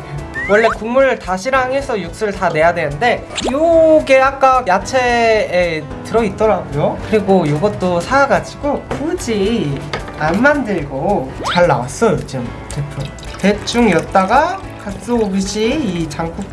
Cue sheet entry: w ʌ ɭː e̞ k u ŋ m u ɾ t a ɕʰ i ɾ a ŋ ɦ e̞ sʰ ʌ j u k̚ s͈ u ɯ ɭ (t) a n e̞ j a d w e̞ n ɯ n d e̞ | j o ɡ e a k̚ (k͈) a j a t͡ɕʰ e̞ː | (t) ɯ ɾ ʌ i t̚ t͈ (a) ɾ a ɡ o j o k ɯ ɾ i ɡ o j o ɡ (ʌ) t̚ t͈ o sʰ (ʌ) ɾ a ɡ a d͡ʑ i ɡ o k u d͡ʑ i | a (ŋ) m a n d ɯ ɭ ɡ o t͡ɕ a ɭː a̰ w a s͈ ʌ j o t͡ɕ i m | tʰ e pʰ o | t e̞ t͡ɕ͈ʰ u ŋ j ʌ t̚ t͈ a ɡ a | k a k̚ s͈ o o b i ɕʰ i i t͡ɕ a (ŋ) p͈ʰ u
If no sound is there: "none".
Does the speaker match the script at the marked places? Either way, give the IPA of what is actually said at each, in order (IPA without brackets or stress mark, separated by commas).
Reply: t, k͈, t, ʌ, ʌ, a, n, ŋ